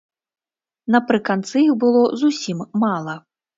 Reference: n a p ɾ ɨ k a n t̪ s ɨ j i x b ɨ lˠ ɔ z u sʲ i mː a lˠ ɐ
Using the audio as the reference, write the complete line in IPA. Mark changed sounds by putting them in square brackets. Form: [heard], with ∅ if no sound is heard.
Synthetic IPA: n [ɐ] p ɾ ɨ k a n t̪ s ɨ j i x b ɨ lˠ ɔ z u sʲ i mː a lˠ ɐ